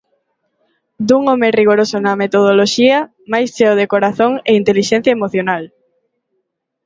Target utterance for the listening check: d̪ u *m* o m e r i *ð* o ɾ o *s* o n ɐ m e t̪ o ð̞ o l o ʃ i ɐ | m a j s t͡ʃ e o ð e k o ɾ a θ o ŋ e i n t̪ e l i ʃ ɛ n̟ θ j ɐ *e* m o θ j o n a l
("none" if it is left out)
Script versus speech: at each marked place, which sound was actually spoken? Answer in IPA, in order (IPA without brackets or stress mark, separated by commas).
ŋ, ɣ, s, e